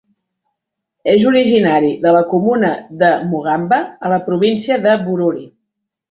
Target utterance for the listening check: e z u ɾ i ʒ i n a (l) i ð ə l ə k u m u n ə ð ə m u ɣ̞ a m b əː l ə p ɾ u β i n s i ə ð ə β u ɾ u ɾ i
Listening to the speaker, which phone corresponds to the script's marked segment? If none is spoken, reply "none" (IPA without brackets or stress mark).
ɾ